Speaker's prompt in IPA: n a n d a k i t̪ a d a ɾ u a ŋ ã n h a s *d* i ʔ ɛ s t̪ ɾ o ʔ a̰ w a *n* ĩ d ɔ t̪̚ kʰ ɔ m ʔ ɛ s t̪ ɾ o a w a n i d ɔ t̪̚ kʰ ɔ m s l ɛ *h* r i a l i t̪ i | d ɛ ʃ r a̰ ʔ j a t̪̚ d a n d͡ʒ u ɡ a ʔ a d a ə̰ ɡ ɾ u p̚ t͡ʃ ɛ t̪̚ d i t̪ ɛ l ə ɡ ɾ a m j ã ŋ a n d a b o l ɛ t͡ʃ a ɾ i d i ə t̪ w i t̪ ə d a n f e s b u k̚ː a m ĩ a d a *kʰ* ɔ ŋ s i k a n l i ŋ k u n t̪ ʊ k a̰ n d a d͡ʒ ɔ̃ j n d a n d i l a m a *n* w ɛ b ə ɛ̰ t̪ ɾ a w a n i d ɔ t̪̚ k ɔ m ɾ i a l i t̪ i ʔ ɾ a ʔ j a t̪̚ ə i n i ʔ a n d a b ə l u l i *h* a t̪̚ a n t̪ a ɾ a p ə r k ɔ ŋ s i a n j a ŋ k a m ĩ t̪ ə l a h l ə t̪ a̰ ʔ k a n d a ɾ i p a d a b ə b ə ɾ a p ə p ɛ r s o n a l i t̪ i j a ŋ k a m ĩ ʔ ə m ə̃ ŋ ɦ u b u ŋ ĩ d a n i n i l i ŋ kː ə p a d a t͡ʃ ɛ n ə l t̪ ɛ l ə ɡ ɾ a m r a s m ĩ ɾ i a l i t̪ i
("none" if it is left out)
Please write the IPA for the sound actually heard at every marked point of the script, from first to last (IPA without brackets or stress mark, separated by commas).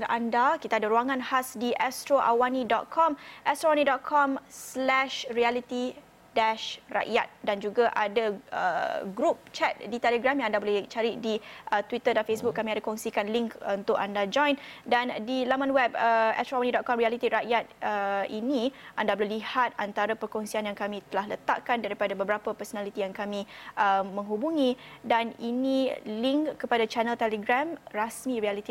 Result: d, n, ʃ, k, n, h